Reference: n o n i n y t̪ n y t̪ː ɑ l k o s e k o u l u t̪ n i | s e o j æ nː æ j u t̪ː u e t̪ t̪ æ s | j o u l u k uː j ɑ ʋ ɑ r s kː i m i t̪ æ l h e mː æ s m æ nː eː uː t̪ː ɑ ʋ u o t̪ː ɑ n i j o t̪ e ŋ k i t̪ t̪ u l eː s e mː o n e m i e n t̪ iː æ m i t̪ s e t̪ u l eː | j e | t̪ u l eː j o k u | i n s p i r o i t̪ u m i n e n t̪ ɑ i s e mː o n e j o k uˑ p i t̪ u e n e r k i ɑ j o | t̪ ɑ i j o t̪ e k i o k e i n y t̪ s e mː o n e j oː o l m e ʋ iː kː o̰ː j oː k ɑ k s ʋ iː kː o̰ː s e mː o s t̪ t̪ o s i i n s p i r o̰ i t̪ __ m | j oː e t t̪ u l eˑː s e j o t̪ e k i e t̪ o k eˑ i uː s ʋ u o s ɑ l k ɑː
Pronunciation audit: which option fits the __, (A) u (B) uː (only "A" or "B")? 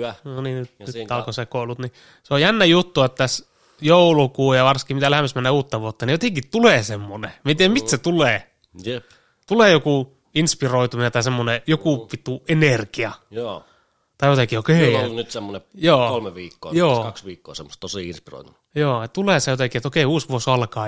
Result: A